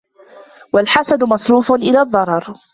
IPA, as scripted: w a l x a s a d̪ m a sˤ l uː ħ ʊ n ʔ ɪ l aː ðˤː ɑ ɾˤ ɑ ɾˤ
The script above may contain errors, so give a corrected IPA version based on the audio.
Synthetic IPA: w a l ħ a s a d̪ m ɑ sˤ ɾ uː f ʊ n ʔ ɪ l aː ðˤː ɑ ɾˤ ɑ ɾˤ